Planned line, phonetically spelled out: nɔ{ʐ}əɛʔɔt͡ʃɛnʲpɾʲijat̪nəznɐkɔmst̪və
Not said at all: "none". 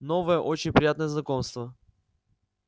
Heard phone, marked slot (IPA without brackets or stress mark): v